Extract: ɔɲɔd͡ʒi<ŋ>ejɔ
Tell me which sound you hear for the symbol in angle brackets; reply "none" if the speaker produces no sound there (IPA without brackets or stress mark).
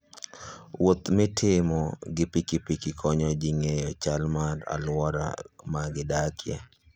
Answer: ŋ